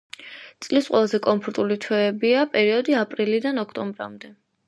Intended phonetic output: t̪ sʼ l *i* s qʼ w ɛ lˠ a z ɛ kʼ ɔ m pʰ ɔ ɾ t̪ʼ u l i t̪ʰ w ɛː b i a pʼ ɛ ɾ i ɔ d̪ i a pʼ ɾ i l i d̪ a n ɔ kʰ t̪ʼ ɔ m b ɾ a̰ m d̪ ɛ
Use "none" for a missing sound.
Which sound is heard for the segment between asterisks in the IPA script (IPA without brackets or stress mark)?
i